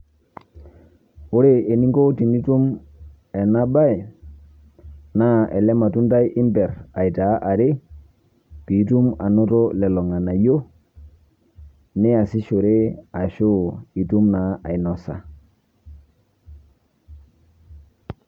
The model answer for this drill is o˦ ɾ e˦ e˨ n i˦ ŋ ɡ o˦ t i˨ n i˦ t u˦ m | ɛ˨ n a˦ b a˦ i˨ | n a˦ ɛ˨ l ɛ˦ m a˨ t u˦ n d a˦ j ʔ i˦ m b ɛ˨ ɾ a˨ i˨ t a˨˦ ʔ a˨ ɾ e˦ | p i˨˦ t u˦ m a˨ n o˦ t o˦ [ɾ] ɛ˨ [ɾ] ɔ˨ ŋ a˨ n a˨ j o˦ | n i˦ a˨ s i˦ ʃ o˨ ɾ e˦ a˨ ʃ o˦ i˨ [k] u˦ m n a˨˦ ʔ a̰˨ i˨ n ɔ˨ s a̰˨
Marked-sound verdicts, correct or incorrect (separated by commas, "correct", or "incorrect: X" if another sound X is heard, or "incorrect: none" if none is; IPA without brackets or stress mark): incorrect: l, incorrect: l, incorrect: t